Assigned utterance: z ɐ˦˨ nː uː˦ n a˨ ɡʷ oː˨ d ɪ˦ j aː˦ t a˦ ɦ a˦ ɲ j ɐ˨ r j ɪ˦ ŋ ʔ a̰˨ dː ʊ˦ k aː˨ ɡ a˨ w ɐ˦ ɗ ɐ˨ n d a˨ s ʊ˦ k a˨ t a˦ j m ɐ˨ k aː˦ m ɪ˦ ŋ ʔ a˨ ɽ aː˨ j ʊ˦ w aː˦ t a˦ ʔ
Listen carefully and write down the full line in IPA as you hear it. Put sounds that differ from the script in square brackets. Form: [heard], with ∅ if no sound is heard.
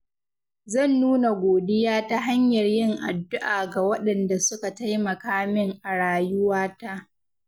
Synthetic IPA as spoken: z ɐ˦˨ nː uː˦ n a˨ ɡʷ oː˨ d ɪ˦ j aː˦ t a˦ ɦ a˦ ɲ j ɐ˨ r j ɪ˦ ŋ ʔ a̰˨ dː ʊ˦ [ʔ] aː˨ ɡ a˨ w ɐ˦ ɗ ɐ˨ n d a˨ s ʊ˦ k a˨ t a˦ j m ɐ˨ k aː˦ m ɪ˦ ŋ ʔ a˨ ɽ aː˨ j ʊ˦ w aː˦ t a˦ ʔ